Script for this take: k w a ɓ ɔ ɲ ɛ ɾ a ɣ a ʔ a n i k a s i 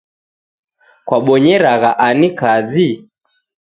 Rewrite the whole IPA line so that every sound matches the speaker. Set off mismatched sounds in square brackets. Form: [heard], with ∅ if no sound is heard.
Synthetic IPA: k w a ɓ ɔ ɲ ɛ ɾ a ɣ a ʔ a n i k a [z] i